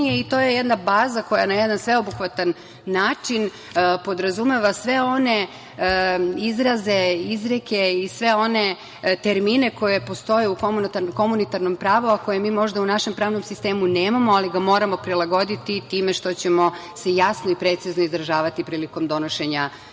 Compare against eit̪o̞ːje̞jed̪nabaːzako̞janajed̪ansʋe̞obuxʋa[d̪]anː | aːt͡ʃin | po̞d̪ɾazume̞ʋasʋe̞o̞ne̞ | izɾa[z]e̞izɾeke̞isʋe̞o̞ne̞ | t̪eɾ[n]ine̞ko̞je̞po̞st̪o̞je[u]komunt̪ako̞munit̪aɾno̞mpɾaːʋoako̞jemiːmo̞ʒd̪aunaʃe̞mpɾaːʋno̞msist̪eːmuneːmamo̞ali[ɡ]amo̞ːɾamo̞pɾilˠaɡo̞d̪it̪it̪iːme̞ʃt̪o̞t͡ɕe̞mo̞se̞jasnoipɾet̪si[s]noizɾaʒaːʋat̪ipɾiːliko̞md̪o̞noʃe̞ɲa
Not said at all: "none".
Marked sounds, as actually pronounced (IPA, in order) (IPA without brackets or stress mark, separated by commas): t̪, z, m, u, ɡ, z